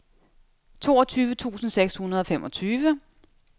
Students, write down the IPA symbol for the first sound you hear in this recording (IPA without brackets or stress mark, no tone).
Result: t͡sʰ